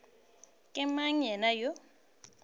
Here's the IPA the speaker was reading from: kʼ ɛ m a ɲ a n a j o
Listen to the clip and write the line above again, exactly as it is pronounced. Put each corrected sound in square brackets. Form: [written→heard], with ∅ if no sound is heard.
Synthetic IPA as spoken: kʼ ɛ m a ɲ [a→ɛ] n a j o